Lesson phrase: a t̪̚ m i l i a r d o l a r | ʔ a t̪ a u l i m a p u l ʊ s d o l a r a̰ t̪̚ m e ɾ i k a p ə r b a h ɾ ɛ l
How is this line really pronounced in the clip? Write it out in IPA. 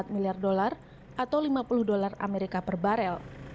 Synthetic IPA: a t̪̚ m i l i a r d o l a r | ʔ a t̪ a w l i m a p u l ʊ h d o l a r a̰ m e ɾ i k a p ə r b a ɾ ɛ l